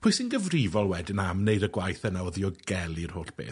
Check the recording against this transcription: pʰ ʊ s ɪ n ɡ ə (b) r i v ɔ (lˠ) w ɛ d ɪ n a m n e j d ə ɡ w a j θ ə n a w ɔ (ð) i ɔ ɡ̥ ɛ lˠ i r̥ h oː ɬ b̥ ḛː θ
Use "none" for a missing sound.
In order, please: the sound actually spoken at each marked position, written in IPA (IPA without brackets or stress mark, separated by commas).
v, lˠ, ð